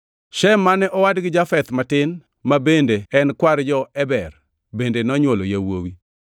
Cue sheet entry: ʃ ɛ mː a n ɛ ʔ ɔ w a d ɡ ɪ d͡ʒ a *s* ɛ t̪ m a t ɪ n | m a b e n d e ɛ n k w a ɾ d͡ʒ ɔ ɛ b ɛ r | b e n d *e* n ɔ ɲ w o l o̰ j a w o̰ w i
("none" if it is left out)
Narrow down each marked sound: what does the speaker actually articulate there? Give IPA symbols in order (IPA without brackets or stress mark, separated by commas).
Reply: f, e